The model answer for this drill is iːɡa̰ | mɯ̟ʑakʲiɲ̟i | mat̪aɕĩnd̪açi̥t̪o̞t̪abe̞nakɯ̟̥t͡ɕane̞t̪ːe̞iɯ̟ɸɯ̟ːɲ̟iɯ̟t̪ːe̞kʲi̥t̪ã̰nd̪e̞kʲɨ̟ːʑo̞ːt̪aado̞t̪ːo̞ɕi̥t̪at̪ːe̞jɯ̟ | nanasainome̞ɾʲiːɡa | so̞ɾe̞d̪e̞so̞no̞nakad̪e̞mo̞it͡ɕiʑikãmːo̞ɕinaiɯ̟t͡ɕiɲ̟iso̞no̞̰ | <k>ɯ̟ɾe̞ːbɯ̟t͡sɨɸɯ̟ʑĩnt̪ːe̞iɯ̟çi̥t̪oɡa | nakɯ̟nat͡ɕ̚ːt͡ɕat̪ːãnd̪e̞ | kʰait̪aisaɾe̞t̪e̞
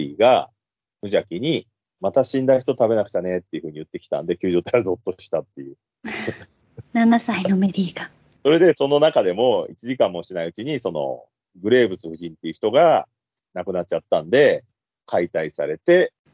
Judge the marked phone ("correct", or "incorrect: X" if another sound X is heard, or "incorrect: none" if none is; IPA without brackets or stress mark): incorrect: ɡ